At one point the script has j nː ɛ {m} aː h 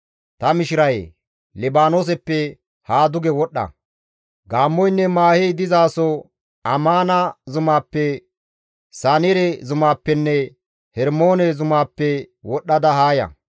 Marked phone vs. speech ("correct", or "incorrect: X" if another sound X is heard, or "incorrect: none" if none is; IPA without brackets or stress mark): correct